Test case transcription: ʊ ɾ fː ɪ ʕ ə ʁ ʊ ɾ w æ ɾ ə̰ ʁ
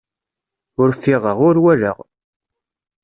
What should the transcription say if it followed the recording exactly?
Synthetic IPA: ʊ ɾ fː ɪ ʁ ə ʁ ʊ ɾ w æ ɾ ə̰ ʁ

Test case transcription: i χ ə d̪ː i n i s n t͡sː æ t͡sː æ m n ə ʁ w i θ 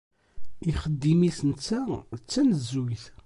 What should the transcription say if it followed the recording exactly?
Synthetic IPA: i χ ə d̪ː i m i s n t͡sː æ t͡sː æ n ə z w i θ

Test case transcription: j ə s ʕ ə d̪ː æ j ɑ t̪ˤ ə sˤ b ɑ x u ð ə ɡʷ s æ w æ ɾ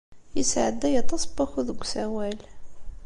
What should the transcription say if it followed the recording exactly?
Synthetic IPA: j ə s ʕ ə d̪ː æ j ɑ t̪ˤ ɑ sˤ b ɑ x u ð ə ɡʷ s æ w æ l

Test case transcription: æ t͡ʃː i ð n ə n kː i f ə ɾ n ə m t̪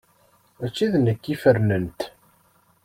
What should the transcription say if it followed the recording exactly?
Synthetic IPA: æ t͡ʃː i ð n ə kː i f ə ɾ n ə n t̪

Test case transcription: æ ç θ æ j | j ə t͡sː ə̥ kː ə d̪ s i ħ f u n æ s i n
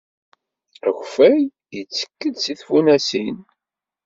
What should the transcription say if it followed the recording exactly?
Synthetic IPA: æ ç f æ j | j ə t͡sː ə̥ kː ə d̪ s i θ f u n æ s i n

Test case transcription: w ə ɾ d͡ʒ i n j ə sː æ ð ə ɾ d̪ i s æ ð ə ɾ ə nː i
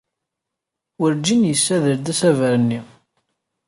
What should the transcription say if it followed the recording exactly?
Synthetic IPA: w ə ɾ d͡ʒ i n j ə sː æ ð ə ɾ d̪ æ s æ v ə ɾ ə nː i

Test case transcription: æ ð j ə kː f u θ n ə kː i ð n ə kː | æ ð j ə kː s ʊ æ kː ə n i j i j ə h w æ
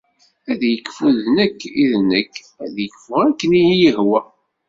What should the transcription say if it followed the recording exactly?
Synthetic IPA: æ ð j ə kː f u ð n ə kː i ð n ə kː | æ ð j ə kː f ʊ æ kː ə n i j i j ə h w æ

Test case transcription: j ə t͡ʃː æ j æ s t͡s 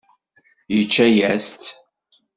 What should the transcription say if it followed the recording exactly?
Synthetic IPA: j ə t͡ʃː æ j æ s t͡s

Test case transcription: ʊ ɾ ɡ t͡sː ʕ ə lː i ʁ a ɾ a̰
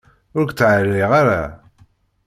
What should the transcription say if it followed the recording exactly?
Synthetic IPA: ʊ ɾ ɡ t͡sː ʕ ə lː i ʁ a ɾ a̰

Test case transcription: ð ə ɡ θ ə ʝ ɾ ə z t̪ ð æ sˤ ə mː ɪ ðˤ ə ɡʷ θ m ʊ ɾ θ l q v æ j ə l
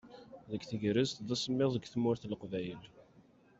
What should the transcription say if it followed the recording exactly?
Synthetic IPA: ð ə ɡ θ ə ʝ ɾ ə z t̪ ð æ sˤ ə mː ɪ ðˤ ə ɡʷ θ m ʊ ɾ θ l q v æ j ə l

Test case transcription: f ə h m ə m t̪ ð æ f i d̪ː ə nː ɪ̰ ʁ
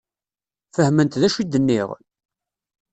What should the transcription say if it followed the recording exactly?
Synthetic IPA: f ə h m ə n t̪ ð æ ʃ i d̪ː ə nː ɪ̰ ʁ

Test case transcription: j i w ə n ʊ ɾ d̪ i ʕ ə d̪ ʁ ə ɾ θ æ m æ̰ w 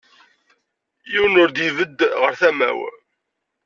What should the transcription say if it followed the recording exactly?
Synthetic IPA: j i w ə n ʊ ɾ d̪ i v ə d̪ ʁ ə ɾ θ æ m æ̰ w

